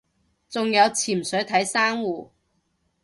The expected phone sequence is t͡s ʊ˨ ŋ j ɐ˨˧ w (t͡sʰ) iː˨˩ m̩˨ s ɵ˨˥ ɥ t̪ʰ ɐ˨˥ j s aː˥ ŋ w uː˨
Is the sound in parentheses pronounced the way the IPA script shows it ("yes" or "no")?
yes